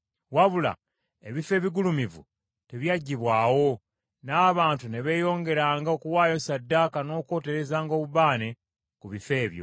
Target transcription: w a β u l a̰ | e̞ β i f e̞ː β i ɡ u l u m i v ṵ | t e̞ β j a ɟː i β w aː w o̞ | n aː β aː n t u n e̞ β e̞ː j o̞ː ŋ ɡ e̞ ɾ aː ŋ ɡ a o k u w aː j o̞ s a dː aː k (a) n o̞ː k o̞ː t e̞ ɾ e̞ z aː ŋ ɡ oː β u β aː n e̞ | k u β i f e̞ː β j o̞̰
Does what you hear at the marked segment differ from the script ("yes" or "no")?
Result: no